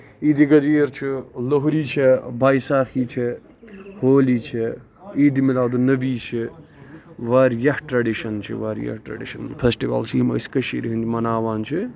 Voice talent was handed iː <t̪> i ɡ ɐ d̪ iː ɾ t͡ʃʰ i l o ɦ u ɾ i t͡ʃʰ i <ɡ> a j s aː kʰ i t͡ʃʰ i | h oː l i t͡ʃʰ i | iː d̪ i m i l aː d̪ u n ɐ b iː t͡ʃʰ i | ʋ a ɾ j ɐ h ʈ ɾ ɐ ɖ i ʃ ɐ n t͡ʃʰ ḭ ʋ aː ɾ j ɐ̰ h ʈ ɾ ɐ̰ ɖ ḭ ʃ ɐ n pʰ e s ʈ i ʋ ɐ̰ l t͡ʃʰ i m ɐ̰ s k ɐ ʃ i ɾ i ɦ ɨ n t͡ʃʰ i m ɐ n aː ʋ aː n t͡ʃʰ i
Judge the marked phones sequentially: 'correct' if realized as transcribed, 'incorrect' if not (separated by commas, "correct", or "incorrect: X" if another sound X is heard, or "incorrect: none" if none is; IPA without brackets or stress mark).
incorrect: d̪, incorrect: b